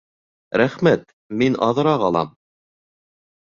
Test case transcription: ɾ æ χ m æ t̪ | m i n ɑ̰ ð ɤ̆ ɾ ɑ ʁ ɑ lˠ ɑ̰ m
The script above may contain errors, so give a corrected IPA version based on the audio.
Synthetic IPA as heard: ɾ æ χ m æ t̪ | m i n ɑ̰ ð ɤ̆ ɾ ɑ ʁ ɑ lˠ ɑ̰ m